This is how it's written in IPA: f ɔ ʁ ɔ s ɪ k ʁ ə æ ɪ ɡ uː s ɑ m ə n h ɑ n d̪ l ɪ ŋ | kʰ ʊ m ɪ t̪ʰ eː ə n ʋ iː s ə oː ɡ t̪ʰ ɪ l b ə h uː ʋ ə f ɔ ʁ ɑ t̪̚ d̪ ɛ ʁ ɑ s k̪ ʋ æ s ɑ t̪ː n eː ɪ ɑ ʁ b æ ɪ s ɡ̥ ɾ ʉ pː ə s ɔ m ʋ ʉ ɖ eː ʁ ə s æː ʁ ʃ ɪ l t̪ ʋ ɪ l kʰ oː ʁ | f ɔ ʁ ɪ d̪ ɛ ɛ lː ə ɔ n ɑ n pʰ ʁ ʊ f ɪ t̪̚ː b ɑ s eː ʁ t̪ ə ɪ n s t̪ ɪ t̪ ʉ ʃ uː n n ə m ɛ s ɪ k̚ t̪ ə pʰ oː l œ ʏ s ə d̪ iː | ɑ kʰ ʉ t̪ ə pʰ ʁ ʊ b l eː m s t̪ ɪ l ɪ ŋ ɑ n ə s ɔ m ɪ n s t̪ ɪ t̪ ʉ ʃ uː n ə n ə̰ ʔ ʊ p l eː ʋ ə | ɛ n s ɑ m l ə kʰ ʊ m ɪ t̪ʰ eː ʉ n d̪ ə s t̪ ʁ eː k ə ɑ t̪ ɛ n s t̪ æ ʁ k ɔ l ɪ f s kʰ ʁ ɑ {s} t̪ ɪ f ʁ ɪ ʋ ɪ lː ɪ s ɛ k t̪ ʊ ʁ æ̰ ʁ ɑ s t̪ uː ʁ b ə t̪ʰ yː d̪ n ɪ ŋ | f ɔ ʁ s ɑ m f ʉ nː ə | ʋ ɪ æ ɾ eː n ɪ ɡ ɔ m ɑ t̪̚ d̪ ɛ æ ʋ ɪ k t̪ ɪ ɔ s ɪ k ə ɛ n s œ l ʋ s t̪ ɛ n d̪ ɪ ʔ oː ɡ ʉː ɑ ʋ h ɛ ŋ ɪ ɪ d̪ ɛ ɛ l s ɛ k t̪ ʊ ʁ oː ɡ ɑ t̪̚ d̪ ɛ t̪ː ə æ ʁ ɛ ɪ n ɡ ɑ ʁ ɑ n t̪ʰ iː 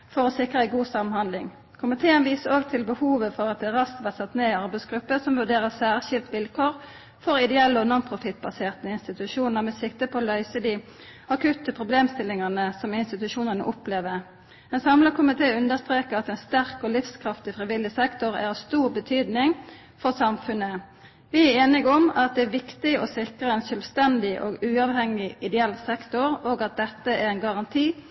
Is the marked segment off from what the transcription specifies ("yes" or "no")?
yes